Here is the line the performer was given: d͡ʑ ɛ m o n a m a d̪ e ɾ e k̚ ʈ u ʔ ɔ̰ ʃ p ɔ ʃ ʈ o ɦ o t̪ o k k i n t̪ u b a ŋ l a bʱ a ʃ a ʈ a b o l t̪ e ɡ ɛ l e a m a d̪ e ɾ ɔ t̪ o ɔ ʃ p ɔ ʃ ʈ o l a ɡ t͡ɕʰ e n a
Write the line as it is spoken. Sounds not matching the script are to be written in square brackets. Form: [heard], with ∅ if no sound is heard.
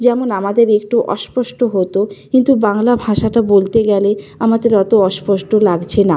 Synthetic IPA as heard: d͡ʑ ɛ m o n a m a d̪ e ɾ e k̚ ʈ u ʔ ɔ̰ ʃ p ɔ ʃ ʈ o ɦ o t̪ o k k i n t̪ u b a ŋ l a bʱ a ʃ a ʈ a b o l t̪ e ɡ ɛ l e a m a d̪ e ɾ ɔ t̪ o ɔ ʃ p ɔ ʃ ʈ o l a ɡ t͡ɕʰ e n a